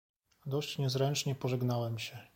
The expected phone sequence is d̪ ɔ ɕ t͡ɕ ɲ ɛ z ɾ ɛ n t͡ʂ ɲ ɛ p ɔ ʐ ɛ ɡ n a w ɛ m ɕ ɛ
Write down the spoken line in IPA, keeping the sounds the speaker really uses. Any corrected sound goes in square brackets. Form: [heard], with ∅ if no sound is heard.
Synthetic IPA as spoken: d̪ ɔ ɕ t͡ɕ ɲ ɛ z ɾ ɛ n t͡ʂ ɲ ɛ p ɔ ʐ ɛ ɡ n a w ɛ m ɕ ɛ

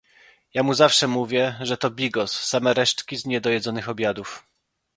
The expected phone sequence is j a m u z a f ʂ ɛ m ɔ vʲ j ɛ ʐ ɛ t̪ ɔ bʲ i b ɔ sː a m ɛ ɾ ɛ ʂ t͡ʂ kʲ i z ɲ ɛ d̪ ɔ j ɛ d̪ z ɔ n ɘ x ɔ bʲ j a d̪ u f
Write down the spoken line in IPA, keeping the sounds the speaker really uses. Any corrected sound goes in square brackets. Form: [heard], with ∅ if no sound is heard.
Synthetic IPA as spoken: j a m u z a f ʂ ɛ m [u] vʲ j ɛ ʐ ɛ t̪ ɔ bʲ i [ɡ] ɔ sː a m ɛ ɾ ɛ ʂ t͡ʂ kʲ i z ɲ ɛ d̪ ɔ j ɛ d̪ z ɔ n ɘ x ɔ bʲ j a d̪ u f

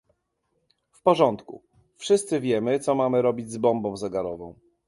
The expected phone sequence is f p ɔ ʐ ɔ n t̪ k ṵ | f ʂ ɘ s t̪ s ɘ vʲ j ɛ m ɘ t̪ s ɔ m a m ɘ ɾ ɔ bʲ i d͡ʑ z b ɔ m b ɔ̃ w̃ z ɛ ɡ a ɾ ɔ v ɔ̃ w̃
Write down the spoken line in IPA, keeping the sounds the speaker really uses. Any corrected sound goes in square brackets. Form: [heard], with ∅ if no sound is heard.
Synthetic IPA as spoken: f p ɔ ʐ ɔ n t̪ k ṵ | f ʂ ɘ s t̪ s ɘ vʲ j ɛ m ɘ t̪ s ɔ m a m ɘ ɾ ɔ bʲ i d͡ʑ z b ɔ m b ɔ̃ w̃ z ɛ ɡ a ɾ ɔ v ɔ̃ w̃

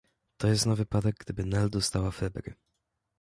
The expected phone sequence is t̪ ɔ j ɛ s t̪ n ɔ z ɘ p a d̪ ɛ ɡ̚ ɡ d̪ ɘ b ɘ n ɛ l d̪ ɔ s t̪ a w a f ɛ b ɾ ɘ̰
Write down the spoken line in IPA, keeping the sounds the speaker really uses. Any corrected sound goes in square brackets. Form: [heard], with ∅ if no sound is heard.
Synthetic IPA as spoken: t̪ ɔ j ɛ s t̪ n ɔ [v] ɘ p a d̪ ɛ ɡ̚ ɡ d̪ ɘ b ɘ n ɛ l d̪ ɔ s t̪ a w a f ɛ b ɾ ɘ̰

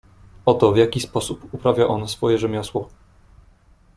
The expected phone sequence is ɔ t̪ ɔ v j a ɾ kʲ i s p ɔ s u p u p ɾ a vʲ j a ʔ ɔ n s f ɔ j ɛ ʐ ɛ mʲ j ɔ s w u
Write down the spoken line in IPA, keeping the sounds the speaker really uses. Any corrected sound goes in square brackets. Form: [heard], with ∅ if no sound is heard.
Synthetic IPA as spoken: ɔ t̪ ɔ v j a [∅] kʲ i s p ɔ s u p u p ɾ a vʲ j a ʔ ɔ n s f ɔ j ɛ ʐ ɛ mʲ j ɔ s w [ɔ]

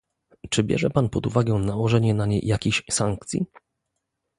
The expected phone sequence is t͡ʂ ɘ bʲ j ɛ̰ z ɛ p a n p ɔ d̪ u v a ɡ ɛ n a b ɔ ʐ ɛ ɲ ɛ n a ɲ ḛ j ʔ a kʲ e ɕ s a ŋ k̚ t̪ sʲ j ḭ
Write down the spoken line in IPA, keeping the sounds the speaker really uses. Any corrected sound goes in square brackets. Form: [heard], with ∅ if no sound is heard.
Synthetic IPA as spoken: t͡ʂ ɘ bʲ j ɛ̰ [ʐ] ɛ p a n p ɔ d̪ u v a ɡ ɛ n a [w] ɔ ʐ ɛ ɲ ɛ n a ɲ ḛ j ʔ a kʲ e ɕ s a ŋ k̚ t̪ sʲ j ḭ

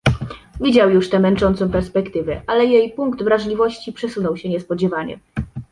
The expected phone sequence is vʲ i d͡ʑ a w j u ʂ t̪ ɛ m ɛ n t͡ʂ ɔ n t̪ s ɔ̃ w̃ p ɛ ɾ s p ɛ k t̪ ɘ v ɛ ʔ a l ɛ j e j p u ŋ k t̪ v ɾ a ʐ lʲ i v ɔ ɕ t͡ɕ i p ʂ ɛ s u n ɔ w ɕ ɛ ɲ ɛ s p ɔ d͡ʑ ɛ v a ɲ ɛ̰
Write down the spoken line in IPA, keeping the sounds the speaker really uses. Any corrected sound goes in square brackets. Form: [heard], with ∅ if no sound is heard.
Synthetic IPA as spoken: vʲ i d͡ʑ a w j u ʂ t̪ ɛ m ɛ n t͡ʂ ɔ n t̪ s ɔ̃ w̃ p ɛ ɾ s p ɛ k t̪ ɘ v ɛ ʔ a l ɛ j e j p u ŋ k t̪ v ɾ a ʐ lʲ i v ɔ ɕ t͡ɕ i p ʂ ɛ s u n ɔ w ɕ ɛ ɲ ɛ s p ɔ d͡ʑ ɛ v a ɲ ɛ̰

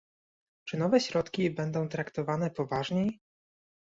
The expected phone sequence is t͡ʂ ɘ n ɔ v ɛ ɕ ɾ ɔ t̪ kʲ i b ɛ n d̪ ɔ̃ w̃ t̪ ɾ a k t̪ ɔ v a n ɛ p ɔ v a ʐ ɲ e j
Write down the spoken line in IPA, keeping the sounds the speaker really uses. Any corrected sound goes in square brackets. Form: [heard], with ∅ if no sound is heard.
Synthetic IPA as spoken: t͡ʂ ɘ n ɔ v ɛ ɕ ɾ ɔ t̪ kʲ i b ɛ n d̪ ɔ̃ w̃ t̪ ɾ a k t̪ ɔ v a n ɛ p ɔ v a ʐ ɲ e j

